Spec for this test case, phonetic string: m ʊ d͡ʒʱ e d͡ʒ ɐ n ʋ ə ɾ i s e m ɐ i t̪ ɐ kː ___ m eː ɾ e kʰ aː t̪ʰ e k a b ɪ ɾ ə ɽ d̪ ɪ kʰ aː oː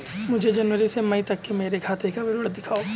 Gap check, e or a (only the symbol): e